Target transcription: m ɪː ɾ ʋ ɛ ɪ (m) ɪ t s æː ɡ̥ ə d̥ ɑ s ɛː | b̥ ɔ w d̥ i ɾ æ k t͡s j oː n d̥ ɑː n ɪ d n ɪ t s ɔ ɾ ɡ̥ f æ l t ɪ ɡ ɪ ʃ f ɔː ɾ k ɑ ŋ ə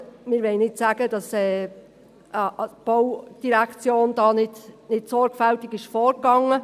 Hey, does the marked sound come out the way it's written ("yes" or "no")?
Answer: no